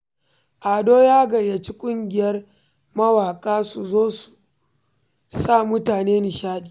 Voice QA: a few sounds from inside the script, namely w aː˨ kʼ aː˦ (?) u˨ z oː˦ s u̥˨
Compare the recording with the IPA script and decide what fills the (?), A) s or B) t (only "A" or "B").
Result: A